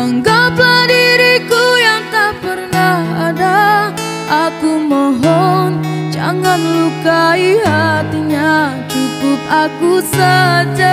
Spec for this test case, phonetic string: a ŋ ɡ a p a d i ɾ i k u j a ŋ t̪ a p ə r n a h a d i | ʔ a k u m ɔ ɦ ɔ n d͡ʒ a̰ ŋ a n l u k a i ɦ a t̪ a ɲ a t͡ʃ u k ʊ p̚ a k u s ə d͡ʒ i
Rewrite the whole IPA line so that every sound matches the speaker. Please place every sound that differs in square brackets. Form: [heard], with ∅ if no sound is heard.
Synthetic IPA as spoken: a ŋ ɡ a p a d i ɾ i k u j a ŋ t̪ a p ə r n a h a d [a] | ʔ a k u m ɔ ɦ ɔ n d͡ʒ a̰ ŋ a n l u k a i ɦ a t̪ [i] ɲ a t͡ʃ u k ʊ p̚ a k u s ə d͡ʒ [a]